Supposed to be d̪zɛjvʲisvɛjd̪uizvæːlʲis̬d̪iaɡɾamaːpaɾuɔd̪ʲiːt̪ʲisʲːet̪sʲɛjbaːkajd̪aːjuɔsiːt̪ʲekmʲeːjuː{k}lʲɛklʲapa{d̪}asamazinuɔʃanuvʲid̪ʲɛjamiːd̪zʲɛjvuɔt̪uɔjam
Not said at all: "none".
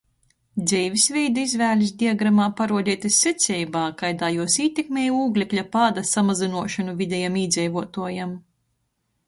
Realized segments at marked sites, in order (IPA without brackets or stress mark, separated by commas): ɡ, d̪